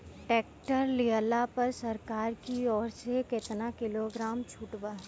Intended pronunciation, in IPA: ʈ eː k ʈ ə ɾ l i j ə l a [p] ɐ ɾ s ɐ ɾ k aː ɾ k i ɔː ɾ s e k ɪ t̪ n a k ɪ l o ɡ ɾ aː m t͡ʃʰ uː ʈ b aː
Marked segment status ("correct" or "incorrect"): correct